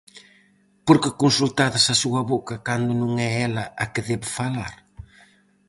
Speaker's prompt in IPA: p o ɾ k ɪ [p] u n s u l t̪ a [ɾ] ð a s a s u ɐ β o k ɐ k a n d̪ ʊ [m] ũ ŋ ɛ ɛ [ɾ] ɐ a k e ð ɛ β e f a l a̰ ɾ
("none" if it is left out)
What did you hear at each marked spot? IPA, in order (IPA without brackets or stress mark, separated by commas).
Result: k, none, n, l